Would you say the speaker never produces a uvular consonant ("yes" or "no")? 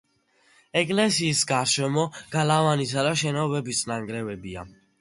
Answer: yes